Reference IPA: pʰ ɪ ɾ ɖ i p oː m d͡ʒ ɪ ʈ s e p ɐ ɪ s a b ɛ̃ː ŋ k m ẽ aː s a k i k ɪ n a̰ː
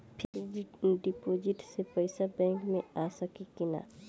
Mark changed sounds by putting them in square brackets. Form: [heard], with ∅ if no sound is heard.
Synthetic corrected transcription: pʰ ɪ ɾ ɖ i p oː [∅] d͡ʒ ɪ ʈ s e p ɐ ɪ s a b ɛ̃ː ŋ k m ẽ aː s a k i k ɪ n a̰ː